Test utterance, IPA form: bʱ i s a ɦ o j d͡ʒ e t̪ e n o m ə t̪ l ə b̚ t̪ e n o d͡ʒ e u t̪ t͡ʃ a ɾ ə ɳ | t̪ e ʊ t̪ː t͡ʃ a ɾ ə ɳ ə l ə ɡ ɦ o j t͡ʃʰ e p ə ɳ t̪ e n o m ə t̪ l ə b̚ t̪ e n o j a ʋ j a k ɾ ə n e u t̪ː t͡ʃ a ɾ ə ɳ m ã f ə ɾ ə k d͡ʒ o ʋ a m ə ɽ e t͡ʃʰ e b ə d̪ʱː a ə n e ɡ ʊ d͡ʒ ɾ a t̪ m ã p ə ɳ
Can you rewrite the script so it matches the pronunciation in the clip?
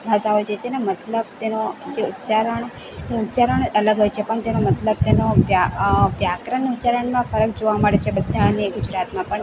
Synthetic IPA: bʱ a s a ɦ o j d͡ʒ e t̪ e n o m ə t̪ l ə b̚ t̪ e n o d͡ʒ e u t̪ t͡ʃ a ɾ ə ɳ | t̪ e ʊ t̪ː t͡ʃ a ɾ ə ɳ ə l ə ɡ ɦ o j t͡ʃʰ e p ə ɳ t̪ e n o m ə t̪ l ə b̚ t̪ e n o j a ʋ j a k ɾ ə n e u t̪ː t͡ʃ a ɾ ə ɳ m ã f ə ɾ ə k d͡ʒ o ʋ a m ə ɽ e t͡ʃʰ e b ə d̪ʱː a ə n e ɡ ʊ d͡ʒ ɾ a t̪ m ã p ə ɳ